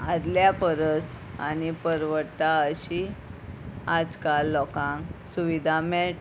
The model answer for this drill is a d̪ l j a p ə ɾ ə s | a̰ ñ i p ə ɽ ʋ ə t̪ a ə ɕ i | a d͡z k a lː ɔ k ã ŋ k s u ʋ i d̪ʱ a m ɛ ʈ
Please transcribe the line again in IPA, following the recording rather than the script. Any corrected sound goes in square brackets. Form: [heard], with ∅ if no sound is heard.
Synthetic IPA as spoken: a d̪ l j a p ə ɾ ə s | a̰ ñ i p ə [ɾ] ʋ ə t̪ a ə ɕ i | a d͡z k a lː ɔ k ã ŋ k s u ʋ i d̪ʱ a m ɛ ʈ